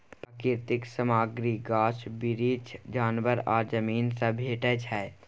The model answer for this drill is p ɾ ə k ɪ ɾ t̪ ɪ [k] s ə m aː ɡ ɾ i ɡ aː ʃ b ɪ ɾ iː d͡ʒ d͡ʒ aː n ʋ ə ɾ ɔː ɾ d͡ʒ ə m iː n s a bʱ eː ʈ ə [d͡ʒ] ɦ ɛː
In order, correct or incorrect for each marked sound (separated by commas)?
correct, correct